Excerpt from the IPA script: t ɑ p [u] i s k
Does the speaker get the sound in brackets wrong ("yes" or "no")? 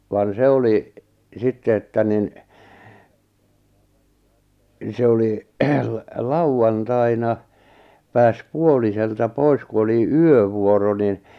yes